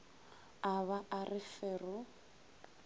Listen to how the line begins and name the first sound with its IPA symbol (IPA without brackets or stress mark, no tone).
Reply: a